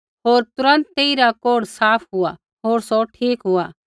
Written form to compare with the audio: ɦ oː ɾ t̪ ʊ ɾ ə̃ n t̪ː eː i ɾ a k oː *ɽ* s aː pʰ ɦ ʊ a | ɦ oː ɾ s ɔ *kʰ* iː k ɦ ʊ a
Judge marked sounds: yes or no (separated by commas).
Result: yes, no